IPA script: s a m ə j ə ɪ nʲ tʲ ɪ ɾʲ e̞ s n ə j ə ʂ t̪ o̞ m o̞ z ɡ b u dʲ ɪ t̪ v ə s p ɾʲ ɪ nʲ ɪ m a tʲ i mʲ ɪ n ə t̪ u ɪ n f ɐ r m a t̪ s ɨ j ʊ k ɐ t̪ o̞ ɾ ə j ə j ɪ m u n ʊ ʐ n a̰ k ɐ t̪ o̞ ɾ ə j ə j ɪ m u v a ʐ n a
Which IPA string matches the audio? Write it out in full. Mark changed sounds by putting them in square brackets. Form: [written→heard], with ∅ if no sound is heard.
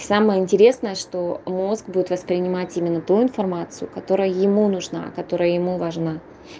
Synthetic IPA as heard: s a m ə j ə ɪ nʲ tʲ ɪ ɾʲ e̞ s n ə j ə ʂ t̪ o̞ m o̞ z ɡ b u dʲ ɪ t̪ v ə s p ɾʲ ɪ nʲ ɪ m a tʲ i mʲ ɪ [n→nː] ə t̪ u ɪ n f ɐ r m a t̪ s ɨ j ʊ k ɐ t̪ o̞ ɾ ə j ə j ɪ m u n ʊ ʐ n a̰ k ɐ t̪ o̞ ɾ ə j ə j ɪ m u v [a→ɐ] ʐ n a